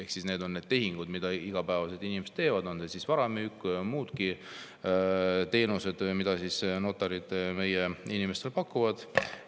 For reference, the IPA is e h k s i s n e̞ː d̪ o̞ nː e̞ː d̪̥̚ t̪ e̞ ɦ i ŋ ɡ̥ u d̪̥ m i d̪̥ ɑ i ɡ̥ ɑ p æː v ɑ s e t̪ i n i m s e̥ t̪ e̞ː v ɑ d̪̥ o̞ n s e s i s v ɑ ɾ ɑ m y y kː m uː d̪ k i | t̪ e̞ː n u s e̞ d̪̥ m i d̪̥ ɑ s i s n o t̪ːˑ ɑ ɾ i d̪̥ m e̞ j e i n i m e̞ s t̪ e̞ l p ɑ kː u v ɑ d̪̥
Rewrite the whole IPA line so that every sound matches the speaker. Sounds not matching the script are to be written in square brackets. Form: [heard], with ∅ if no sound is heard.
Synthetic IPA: e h k s i s n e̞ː d̪ o̞ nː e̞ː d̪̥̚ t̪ e̞ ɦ i ŋ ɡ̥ u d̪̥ m i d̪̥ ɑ i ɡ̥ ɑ p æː v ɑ s e t̪ i n i m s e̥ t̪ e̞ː v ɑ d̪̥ o̞ n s e s i s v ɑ ɾ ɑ m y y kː m uː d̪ k i | t̪ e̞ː n u s e̞ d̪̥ m i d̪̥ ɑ s i s n o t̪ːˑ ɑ ɾ i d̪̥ m e̞ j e i n i m e̞ s t̪ e̞ l p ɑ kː u v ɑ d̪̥